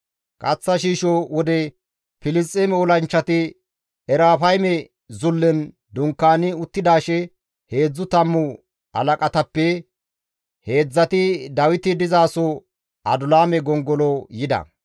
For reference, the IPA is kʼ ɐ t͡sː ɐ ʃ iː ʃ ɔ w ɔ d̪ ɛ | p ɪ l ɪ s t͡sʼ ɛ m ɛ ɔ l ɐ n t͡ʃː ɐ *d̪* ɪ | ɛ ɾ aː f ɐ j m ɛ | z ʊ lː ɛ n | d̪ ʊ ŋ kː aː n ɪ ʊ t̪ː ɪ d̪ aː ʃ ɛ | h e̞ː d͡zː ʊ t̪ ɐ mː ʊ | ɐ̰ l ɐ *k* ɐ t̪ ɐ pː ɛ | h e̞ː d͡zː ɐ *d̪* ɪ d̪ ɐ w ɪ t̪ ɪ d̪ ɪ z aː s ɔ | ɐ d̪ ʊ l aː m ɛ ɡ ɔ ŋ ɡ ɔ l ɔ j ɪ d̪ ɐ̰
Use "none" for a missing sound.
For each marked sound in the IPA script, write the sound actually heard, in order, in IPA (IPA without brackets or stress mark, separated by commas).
t̪, kʼ, t̪